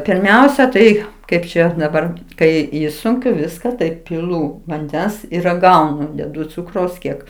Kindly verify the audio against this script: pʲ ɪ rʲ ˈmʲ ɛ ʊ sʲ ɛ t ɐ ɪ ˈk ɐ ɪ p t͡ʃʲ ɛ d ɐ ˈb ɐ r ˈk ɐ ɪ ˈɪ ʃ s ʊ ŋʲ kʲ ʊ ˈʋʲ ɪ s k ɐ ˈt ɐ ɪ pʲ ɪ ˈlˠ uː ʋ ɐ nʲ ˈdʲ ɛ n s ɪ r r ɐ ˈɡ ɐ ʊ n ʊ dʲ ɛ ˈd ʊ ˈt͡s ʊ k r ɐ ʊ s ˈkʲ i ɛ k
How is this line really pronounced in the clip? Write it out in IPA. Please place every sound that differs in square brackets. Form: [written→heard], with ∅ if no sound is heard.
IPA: pʲ ɪ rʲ ˈmʲ ɛ ʊ sʲ ɛ t ɐ ɪ ˈk ɐ ɪ p t͡ʃʲ ɛ d ɐ ˈb ɐ r ˈk ɐ ɪ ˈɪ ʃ s ʊ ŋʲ kʲ ʊ ˈʋʲ ɪ s k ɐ ˈt ɐ ɪ pʲ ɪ ˈlˠ uː ʋ ɐ nʲ ˈdʲ ɛ n s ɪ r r ɐ ˈɡ ɐ ʊ n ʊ dʲ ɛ ˈd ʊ ˈt͡s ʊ k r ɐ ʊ s ˈkʲ i ɛ k